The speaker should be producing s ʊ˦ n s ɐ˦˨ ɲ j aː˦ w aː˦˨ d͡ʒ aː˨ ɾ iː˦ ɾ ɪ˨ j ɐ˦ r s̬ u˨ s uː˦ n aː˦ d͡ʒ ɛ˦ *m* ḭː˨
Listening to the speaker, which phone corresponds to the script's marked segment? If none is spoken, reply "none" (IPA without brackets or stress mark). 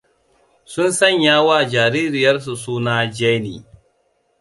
n